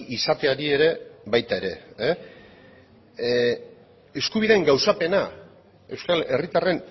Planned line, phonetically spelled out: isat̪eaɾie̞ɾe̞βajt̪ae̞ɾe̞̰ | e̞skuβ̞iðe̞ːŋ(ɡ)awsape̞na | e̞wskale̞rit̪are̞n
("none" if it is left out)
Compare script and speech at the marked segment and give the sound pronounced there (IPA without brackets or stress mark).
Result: ɡ